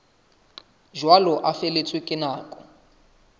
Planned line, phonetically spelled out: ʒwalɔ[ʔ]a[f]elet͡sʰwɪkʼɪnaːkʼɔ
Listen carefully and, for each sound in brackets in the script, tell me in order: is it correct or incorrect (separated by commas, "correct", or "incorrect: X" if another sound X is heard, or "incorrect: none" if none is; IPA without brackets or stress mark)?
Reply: correct, correct